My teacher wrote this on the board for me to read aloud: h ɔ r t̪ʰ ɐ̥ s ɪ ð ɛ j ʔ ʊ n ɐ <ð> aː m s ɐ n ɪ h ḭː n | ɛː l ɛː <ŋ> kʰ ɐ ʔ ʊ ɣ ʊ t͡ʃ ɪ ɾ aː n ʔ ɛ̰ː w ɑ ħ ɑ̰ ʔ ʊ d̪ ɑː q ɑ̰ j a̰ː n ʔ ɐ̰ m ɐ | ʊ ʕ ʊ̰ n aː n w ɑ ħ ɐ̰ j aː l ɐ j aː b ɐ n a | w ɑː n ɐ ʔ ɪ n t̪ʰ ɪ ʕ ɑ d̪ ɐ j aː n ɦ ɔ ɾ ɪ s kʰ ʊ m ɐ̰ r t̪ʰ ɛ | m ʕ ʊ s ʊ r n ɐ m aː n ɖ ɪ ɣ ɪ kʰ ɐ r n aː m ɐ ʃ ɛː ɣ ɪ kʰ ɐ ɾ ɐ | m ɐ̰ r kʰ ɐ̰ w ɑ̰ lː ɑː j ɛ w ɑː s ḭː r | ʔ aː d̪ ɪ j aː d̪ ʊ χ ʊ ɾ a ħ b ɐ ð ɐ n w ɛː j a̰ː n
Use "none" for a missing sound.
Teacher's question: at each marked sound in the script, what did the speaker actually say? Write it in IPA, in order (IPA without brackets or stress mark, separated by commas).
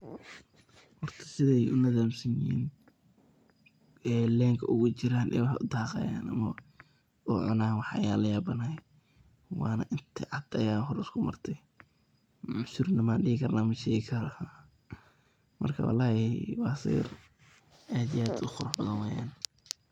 ð, ŋ